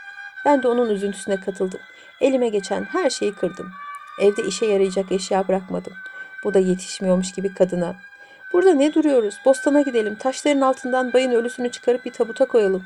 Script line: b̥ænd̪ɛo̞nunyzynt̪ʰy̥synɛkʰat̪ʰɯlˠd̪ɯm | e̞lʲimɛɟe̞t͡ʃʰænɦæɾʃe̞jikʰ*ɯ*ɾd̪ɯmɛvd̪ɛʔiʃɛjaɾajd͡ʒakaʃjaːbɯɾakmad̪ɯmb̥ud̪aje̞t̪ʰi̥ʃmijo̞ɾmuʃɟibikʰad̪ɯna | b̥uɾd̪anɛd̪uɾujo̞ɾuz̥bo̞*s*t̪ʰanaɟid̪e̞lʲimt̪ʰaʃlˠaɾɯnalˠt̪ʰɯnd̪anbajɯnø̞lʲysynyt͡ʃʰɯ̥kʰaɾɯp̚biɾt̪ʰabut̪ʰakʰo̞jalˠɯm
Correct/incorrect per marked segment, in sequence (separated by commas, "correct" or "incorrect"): correct, correct